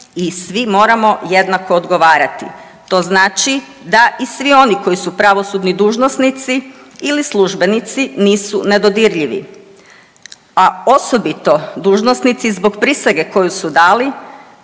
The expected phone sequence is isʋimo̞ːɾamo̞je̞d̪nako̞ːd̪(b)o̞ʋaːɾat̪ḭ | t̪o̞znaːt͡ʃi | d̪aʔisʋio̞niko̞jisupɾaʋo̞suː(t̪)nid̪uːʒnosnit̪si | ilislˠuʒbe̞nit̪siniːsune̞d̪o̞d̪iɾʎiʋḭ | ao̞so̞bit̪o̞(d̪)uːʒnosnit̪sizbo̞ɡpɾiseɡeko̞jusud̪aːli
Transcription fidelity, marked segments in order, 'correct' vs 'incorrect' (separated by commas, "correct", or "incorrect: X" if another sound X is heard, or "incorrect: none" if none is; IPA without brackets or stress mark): incorrect: ɡ, incorrect: d̪, correct